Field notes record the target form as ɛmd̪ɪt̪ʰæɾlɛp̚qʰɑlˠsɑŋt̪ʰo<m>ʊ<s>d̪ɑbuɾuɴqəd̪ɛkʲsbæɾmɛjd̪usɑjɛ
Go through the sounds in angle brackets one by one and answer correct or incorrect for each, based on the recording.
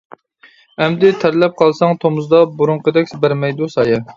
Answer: correct, incorrect

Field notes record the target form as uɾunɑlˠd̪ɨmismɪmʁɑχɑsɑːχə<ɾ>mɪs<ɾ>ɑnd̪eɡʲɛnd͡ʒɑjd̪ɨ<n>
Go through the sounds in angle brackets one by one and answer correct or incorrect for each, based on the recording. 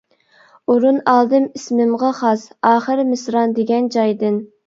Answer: correct, correct, correct

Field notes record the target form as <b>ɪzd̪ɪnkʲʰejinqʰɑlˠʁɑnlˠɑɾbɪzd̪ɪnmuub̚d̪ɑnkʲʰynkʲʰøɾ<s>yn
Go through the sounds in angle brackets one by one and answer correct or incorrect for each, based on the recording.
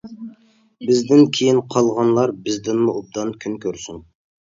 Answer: correct, correct

